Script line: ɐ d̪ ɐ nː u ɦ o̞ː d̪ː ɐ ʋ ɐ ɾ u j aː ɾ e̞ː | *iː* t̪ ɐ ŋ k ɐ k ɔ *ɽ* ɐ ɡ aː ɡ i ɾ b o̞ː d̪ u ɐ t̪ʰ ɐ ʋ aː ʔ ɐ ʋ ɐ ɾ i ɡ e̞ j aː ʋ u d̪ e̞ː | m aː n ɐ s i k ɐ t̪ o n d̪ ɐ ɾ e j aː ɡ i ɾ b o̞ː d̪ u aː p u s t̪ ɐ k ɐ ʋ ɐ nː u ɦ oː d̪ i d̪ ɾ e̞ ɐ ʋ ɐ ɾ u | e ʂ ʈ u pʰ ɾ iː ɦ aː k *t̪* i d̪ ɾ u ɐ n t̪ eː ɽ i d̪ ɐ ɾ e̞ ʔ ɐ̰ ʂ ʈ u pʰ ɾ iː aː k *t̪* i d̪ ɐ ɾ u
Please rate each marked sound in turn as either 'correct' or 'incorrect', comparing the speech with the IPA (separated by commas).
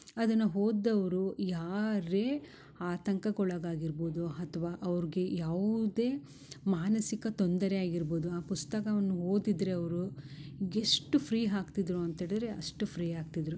incorrect, incorrect, correct, correct